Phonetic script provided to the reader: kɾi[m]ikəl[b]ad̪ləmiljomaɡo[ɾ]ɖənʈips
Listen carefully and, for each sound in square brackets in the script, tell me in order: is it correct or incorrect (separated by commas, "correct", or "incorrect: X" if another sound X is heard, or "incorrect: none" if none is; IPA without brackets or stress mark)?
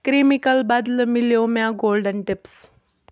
correct, correct, incorrect: l